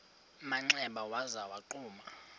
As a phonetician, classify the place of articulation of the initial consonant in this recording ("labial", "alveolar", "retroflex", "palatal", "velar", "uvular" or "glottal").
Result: labial